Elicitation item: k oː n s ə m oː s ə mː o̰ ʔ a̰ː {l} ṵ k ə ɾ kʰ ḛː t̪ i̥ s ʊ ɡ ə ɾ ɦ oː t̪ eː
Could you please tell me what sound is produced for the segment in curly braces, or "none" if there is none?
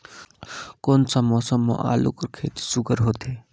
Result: l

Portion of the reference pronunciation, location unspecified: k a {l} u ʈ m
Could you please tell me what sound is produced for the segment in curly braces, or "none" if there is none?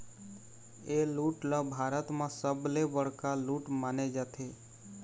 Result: l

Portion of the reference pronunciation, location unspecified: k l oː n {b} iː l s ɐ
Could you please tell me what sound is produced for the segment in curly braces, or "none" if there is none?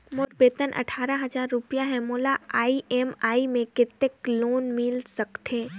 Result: m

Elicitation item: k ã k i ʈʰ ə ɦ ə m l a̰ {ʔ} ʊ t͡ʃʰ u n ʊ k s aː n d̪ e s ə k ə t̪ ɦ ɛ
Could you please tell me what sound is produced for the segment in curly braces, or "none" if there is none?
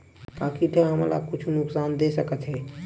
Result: k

